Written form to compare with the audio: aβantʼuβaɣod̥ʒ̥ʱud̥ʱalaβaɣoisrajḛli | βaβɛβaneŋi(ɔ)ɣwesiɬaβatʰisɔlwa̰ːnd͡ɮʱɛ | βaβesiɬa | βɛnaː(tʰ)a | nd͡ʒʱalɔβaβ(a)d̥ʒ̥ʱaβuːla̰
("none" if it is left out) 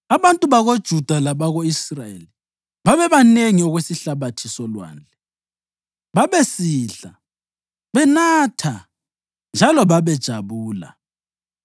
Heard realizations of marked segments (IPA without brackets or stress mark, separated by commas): ɔ, tʰ, ɛ